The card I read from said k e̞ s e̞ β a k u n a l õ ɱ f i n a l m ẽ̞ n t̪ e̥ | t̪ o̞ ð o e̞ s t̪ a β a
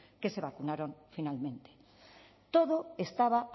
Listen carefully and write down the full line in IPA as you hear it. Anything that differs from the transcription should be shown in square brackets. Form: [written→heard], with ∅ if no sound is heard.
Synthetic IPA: k e̞ s e̞ β a k u n a [l→ɾ] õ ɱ f i n a l m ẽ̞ n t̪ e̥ | t̪ o̞ ð o e̞ s t̪ a β a